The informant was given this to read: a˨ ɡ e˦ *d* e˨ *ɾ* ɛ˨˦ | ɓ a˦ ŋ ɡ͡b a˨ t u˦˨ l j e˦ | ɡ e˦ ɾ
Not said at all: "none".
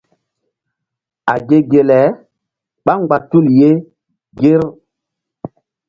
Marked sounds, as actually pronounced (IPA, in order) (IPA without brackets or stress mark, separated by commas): ɡ, l